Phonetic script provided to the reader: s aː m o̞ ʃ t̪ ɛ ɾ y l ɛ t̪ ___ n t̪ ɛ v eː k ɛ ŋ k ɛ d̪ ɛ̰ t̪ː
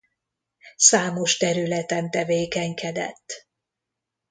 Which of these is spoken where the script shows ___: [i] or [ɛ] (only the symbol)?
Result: ɛ